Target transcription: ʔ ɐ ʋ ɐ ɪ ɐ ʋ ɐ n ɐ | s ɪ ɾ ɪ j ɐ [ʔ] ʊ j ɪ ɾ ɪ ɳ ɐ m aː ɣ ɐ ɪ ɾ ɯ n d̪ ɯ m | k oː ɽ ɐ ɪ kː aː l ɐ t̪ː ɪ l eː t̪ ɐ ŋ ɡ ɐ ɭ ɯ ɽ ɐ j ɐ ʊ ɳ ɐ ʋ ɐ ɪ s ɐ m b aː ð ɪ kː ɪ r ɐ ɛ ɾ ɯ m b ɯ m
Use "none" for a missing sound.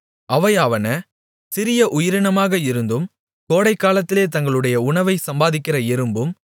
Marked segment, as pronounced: ʔ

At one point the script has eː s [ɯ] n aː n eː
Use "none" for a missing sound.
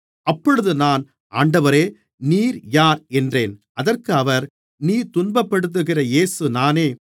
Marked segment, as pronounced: ɯ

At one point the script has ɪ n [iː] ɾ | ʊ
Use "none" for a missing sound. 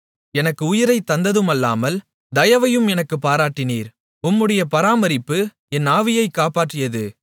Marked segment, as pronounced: iː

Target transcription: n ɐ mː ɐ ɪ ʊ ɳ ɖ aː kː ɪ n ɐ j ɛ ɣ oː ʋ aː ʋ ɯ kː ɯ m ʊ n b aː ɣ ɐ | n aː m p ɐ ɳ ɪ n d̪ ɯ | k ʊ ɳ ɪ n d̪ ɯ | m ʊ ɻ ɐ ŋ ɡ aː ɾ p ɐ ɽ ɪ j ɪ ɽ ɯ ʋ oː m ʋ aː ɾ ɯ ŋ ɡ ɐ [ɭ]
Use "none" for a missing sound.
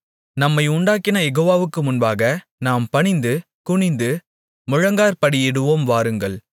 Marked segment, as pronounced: ɭ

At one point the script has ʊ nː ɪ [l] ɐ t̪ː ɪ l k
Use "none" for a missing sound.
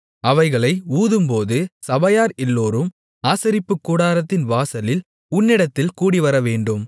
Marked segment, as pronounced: ɽ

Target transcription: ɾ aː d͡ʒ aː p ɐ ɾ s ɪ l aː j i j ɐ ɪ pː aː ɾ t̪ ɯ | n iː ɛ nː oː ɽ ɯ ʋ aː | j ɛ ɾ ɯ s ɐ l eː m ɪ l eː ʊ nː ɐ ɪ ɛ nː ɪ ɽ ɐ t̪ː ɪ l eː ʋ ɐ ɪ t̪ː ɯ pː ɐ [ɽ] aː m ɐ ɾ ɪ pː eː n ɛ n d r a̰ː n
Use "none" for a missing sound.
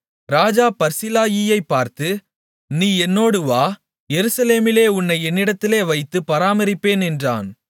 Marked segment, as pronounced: ɾ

